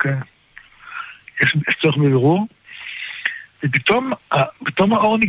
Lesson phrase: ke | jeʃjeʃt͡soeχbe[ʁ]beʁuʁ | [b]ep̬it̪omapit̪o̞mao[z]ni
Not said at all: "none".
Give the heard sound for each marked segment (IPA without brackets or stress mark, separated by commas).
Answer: none, v, ʁ